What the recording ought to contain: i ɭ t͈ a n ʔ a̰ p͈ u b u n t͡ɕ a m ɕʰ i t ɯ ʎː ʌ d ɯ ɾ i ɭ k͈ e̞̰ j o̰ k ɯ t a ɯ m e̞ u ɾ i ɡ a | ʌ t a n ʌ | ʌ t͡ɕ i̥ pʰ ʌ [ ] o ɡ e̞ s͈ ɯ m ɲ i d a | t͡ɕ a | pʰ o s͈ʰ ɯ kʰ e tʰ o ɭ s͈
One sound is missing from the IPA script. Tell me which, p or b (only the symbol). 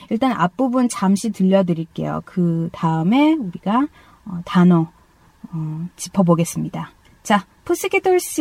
b